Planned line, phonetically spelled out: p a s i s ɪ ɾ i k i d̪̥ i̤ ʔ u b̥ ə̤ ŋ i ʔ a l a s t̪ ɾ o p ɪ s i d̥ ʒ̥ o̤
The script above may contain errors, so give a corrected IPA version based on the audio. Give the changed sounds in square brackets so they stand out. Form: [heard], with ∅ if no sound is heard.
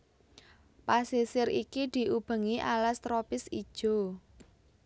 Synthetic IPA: p a s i s ɪ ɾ i k i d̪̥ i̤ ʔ u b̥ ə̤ ŋ i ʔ a l a s t̪ ɾ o p ɪ s i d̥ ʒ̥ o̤